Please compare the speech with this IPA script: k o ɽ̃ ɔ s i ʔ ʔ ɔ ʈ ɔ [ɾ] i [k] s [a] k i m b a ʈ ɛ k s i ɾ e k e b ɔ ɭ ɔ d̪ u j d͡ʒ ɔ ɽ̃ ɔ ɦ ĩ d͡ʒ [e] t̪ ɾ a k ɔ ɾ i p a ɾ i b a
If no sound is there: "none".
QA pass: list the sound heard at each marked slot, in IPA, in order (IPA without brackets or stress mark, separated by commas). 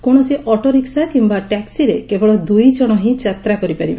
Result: ɾ, k, a, a